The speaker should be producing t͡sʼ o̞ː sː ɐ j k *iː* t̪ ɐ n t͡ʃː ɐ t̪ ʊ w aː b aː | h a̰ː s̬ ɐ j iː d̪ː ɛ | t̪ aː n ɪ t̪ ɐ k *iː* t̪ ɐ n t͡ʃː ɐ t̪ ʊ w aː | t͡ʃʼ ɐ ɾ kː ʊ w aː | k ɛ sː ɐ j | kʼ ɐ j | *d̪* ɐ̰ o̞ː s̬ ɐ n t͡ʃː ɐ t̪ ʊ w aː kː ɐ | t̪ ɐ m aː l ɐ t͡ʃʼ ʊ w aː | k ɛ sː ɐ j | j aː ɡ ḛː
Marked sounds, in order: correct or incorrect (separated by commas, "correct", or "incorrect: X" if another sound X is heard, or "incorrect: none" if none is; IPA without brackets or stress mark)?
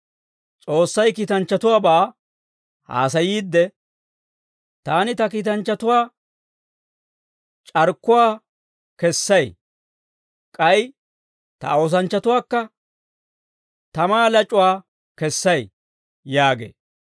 correct, correct, incorrect: t̪